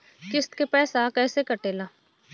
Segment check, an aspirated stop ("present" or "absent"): absent